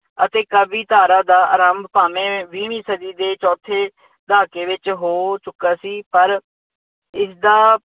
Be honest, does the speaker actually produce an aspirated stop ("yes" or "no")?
yes